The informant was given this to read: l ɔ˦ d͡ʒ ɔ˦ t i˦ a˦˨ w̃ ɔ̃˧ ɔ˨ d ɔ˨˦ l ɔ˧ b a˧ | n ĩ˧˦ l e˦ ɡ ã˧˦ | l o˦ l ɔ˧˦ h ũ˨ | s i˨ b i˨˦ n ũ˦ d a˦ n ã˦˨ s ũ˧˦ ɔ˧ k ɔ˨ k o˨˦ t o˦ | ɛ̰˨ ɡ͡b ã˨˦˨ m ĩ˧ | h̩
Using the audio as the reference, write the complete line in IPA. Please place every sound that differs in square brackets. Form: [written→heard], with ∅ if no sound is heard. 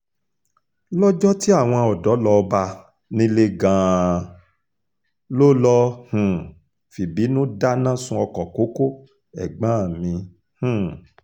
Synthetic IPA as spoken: l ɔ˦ d͡ʒ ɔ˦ t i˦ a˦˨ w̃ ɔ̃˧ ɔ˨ d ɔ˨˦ l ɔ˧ b a˧ | n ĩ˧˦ l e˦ ɡ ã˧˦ | l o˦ l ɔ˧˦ h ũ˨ | [s→f] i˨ b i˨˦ n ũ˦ d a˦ n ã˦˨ s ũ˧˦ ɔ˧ k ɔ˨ k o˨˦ [t→k] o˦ | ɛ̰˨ ɡ͡b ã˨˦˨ m ĩ˧ | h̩